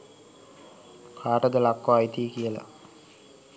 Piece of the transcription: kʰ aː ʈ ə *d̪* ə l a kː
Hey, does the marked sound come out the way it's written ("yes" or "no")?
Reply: yes